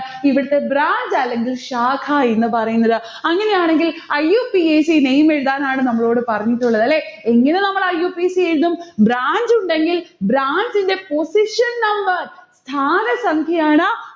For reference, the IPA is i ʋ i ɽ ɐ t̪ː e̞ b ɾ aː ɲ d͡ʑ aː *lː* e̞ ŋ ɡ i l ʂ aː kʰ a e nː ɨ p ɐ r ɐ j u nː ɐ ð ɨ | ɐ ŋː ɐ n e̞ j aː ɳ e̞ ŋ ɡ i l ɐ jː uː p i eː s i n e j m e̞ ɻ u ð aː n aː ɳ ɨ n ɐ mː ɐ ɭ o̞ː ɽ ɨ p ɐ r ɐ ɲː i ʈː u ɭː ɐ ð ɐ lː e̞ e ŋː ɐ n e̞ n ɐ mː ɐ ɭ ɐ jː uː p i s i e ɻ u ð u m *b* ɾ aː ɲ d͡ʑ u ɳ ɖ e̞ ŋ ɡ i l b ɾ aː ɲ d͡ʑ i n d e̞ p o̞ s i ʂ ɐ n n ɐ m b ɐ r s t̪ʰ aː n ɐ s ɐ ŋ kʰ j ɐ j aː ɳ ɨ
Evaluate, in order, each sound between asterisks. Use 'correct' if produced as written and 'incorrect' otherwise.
correct, correct

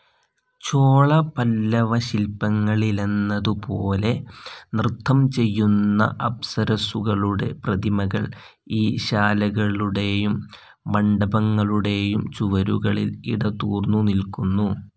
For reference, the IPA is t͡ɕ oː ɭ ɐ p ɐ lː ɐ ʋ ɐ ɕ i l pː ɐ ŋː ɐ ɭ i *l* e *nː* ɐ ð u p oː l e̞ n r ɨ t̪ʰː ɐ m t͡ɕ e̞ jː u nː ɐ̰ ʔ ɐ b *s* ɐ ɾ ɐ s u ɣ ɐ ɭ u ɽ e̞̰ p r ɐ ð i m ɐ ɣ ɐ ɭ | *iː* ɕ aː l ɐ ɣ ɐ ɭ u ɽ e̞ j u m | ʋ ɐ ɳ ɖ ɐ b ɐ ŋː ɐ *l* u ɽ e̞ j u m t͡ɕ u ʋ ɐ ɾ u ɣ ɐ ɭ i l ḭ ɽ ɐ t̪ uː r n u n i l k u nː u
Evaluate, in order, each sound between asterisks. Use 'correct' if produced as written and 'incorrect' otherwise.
correct, correct, correct, correct, incorrect: ɭ

